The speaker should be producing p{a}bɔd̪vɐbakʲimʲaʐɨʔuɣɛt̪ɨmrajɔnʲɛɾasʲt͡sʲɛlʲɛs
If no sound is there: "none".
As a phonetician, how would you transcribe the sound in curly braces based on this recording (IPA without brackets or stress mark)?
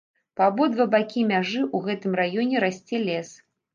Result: a